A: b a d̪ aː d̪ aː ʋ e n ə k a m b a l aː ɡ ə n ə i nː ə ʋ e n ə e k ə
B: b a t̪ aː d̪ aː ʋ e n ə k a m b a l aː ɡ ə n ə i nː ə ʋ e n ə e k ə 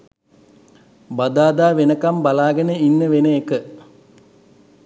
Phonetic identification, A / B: A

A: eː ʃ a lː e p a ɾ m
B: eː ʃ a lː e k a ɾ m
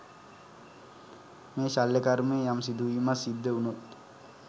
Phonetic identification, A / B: B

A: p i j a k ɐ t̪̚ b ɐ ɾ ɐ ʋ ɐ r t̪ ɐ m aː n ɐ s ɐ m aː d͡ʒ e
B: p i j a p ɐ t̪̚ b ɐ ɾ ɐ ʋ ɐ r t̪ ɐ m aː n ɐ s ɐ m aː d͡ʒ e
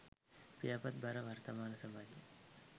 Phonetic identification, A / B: B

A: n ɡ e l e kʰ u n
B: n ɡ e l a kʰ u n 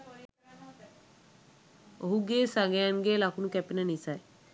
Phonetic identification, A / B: B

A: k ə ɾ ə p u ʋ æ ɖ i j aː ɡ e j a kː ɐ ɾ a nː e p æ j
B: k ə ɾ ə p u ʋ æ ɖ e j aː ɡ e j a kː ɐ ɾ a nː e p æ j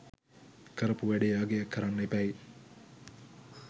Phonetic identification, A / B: B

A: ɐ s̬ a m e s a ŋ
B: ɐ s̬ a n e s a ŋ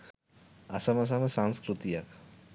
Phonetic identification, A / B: A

